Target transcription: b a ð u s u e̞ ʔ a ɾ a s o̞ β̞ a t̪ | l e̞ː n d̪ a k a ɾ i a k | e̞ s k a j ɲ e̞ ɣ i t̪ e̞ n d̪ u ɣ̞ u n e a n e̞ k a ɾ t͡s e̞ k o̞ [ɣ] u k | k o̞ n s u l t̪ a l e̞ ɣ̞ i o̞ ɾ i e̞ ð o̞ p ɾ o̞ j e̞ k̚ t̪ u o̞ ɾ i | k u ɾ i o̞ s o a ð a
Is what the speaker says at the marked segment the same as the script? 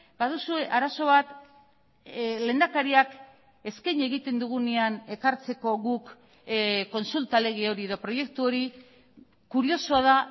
yes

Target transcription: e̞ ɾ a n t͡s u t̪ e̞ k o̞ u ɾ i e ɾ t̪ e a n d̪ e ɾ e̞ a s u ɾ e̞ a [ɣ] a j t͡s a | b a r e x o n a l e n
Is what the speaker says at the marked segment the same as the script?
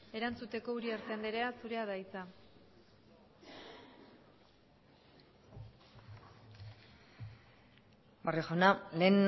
no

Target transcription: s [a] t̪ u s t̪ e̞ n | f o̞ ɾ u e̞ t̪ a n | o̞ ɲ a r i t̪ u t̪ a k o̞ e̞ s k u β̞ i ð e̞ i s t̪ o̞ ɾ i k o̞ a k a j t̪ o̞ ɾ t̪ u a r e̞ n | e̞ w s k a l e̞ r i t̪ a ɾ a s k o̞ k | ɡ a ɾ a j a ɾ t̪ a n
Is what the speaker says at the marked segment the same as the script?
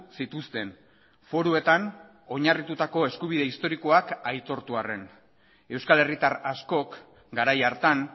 no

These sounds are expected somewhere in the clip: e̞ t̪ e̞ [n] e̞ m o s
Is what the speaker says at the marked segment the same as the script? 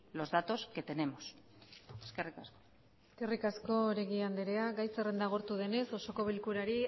yes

